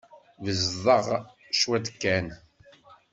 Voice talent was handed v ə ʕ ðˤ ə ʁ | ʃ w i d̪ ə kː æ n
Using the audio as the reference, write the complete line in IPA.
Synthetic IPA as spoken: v ə z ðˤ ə ʁ | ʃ w æ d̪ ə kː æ n